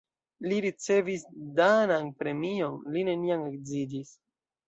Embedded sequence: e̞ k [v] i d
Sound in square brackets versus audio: incorrect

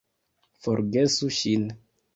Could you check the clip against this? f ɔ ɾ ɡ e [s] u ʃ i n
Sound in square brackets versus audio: correct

